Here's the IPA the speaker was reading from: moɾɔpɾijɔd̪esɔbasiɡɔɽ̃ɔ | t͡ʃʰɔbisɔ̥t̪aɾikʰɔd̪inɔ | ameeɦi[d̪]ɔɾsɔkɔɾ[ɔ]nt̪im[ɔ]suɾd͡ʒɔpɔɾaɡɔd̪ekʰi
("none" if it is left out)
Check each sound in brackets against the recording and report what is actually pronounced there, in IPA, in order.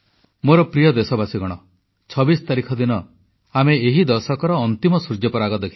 d̪, ɔː, ɔ

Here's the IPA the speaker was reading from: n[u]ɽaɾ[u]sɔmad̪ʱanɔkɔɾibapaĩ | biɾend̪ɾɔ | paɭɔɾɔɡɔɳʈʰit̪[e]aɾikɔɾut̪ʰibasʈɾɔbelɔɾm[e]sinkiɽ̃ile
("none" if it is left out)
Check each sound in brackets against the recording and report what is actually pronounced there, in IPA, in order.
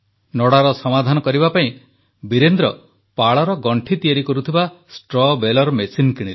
ɔ, ɔ, i, e

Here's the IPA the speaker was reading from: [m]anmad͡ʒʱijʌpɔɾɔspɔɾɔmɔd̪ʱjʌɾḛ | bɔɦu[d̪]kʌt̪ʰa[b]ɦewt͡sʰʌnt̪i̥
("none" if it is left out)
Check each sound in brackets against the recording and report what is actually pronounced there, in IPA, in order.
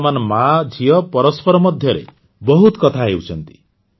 m, t̪, none

